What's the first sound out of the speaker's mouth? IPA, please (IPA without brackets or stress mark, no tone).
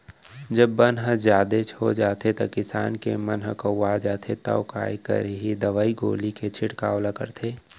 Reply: d͡ʒ